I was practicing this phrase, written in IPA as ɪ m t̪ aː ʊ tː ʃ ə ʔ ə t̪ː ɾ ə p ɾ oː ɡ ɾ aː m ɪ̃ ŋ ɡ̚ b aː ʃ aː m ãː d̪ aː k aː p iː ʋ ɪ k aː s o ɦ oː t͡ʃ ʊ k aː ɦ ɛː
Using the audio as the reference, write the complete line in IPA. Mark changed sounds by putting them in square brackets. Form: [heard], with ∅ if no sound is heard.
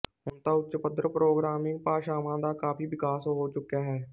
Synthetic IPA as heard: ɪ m t̪ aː ʊ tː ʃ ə [p] ə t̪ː ɾ ə p ɾ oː ɡ ɾ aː m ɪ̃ ŋ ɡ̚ [p] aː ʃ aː m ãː d̪ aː k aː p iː ʋ ɪ k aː s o ɦ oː t͡ʃ ʊ k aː ɦ ɛː